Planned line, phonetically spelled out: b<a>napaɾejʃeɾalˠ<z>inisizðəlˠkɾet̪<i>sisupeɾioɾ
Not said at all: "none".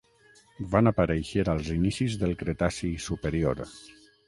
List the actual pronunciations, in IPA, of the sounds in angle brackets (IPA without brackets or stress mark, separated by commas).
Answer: a, z, a